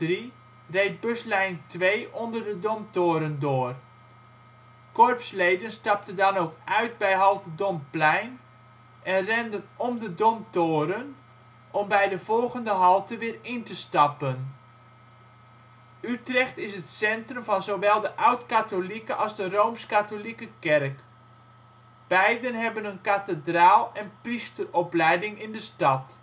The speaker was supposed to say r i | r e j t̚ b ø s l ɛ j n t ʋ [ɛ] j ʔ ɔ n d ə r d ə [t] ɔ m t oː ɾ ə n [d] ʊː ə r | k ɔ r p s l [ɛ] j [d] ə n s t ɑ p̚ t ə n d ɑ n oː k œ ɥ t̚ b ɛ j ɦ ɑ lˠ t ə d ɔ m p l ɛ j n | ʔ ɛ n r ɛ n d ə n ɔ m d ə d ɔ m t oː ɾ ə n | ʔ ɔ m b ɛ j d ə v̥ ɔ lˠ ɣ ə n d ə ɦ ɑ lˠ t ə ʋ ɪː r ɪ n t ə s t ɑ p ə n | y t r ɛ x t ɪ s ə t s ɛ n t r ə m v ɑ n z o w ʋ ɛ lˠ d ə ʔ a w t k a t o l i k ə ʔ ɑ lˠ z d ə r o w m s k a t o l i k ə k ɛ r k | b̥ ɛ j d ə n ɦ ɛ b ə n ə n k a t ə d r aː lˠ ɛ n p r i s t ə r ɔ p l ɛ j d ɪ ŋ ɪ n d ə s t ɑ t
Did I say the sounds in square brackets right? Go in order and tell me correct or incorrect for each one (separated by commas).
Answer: incorrect, incorrect, correct, incorrect, correct